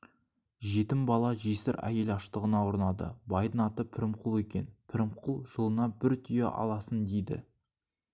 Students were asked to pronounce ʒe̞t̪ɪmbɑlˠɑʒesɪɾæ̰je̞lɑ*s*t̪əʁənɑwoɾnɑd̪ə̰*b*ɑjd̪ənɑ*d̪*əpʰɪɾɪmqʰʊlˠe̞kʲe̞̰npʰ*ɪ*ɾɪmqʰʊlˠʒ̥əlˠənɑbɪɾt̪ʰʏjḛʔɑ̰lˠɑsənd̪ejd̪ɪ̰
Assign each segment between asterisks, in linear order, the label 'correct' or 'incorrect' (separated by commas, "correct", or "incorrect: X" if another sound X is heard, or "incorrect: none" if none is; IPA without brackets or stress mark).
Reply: incorrect: ʃ, correct, incorrect: t̪, correct